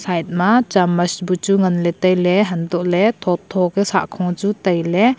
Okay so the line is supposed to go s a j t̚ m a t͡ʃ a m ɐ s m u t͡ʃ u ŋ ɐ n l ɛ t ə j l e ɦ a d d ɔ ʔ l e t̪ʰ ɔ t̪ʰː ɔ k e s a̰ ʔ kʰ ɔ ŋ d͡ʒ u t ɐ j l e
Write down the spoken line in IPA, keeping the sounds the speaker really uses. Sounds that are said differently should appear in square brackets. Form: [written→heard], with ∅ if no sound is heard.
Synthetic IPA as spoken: s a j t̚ m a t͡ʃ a m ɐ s [m→b] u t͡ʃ u ŋ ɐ n l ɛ t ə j l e ɦ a [d→n] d ɔ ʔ l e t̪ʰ ɔ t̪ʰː ɔ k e s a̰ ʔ kʰ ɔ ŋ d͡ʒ u t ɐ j l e